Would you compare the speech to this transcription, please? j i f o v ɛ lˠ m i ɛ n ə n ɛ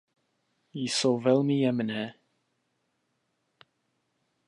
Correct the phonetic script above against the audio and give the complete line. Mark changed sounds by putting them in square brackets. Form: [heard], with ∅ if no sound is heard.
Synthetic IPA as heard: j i [s] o v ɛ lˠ m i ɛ [m] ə n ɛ

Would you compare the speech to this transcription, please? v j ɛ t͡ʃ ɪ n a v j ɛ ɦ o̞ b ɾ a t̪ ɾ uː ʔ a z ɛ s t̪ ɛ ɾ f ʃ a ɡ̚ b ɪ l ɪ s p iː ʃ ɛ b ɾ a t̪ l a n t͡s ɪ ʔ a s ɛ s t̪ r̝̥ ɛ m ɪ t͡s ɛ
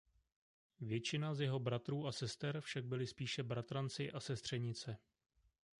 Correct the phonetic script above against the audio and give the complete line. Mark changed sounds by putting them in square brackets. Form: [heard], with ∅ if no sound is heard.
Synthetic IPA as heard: v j ɛ t͡ʃ ɪ n a [z] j ɛ ɦ o̞ b ɾ a t̪ ɾ uː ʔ a [s] ɛ s t̪ ɛ ɾ f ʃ a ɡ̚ b ɪ l ɪ s p iː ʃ ɛ b ɾ a t̪ [ɾ] a n t͡s ɪ ʔ a s ɛ s t̪ r̝̥ ɛ [ɲ] ɪ t͡s ɛ

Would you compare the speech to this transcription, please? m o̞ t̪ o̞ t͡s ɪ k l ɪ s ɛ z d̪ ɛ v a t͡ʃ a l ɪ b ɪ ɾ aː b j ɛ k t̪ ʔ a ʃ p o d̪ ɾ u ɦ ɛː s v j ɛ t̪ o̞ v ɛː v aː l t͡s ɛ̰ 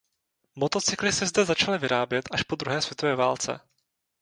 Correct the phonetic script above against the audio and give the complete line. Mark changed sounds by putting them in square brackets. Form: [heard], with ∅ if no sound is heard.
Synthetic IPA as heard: m o̞ t̪ o̞ t͡s ɪ k l ɪ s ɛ z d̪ ɛ [z] a t͡ʃ a l ɪ [v] ɪ ɾ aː b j ɛ [∅] t̪ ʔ a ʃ p o d̪ ɾ u ɦ ɛː s v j ɛ t̪ o̞ v ɛː v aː l t͡s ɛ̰

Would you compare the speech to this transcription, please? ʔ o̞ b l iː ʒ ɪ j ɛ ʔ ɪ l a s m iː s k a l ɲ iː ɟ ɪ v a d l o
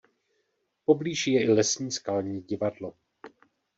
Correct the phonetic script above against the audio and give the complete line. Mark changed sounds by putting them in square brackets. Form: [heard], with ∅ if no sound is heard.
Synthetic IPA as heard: [p] o̞ b l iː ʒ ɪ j ɛ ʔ ɪ l [ɛ] s [ɲ] iː s k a l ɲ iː ɟ ɪ v a d l o

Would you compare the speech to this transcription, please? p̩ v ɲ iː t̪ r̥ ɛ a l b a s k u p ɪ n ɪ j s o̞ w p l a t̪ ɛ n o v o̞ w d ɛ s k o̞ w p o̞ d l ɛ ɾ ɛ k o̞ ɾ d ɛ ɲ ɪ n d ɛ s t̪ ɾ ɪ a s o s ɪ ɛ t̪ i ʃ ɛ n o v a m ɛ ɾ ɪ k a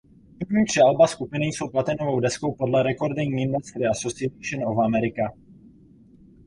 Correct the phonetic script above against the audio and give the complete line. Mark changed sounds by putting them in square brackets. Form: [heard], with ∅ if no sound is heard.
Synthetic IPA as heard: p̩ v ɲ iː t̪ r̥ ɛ a l b a s k u p ɪ n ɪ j s o̞ w p l a t̪ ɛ n o v o̞ w d ɛ s k o̞ w p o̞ d l ɛ ɾ ɛ k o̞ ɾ d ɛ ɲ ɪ n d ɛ s t̪ ɾ ɪ a s o s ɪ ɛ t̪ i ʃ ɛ n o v a m ɛ ɾ ɪ k a

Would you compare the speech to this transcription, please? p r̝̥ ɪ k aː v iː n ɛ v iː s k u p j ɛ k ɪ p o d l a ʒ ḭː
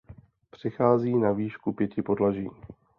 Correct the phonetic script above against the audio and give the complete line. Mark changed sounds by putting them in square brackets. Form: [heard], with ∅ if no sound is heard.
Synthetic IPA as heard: p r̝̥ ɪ [x] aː [z] iː n [a] v iː [ʃ] k u p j ɛ [c] ɪ p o d l a ʒ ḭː

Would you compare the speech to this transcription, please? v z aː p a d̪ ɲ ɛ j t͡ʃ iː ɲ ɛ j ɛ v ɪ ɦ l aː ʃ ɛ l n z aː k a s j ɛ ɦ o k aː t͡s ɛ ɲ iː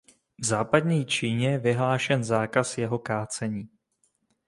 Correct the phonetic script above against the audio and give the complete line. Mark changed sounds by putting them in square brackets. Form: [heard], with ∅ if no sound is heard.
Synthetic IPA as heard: v z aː p a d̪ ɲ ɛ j t͡ʃ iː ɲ ɛ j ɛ v ɪ ɦ l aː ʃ ɛ [∅] n z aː k a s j ɛ ɦ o k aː t͡s ɛ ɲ iː

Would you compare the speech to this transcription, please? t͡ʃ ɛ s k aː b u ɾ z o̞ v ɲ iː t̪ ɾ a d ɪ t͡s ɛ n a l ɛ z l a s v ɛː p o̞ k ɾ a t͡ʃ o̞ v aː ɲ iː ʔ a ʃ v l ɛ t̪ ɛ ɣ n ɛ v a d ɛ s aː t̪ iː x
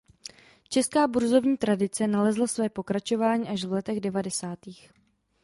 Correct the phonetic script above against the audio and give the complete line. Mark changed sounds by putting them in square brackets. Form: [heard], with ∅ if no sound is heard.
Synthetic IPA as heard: t͡ʃ ɛ s k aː b u ɾ z o̞ v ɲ iː t̪ ɾ a d ɪ t͡s ɛ n a l ɛ z l a s v ɛː p o̞ k ɾ a t͡ʃ o̞ v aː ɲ iː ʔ a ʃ v l ɛ t̪ ɛ ɣ [d] ɛ v a d ɛ s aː t̪ iː x

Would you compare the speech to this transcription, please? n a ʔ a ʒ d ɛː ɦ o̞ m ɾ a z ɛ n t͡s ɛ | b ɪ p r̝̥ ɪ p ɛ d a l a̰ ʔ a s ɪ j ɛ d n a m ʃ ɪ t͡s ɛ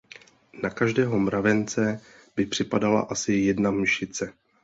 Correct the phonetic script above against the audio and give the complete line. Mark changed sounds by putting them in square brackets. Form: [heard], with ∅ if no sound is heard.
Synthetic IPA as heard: n a [k] a ʒ d ɛː ɦ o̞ m ɾ a [v] ɛ n t͡s ɛ | b ɪ p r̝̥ ɪ p [a] d a l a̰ ʔ a s ɪ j ɛ d n a m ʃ ɪ t͡s ɛ

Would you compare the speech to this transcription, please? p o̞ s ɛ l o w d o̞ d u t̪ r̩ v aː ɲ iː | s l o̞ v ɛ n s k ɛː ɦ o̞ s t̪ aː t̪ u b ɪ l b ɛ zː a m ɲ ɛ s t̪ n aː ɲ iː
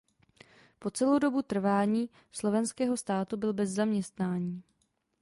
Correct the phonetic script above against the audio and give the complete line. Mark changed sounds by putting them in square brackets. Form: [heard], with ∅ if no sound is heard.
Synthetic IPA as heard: p o̞ [t͡s] ɛ l o w d o̞ [b] u t̪ r̩ v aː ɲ iː | s l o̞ v ɛ n s k ɛː ɦ o̞ s t̪ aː t̪ u b ɪ l b ɛ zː a m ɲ ɛ s t̪ n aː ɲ iː

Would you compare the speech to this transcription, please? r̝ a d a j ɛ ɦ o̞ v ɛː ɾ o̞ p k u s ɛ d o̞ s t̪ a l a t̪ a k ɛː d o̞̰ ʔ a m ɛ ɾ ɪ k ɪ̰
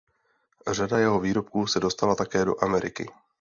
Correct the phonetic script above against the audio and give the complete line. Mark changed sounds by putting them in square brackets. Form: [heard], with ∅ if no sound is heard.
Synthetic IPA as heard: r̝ a d a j ɛ ɦ o̞ v [iː] ɾ o̞ p k [uː] s ɛ d o̞ s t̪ a l a t̪ a k ɛː d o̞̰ ʔ a m ɛ ɾ ɪ k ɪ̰

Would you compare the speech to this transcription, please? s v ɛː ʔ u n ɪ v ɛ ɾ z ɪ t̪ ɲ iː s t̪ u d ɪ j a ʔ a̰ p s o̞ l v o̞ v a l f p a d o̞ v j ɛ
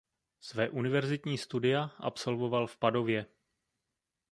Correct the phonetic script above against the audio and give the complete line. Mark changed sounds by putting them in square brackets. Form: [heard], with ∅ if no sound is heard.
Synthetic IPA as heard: s v ɛː ʔ u n ɪ v ɛ ɾ z ɪ t̪ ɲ iː s t̪ u d ɪ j a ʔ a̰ p s o̞ l v o̞ v a l f p a d o̞ v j ɛ

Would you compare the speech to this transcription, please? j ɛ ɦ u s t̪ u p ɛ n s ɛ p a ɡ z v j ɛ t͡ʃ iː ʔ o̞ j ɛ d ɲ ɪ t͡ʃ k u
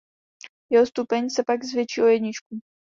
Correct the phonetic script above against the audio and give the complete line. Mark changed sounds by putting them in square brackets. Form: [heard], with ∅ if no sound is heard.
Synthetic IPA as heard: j ɛ ɦ [o] s t̪ u p ɛ [ɲ] s ɛ p a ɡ z v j ɛ t͡ʃ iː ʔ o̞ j ɛ d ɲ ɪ t͡ʃ k u

